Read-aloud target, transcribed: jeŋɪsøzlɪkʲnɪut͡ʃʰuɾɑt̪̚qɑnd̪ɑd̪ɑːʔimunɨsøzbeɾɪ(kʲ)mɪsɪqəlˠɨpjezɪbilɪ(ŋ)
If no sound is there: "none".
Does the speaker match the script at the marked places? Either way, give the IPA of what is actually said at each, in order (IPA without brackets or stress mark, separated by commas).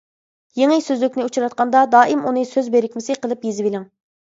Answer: kʲ, ŋ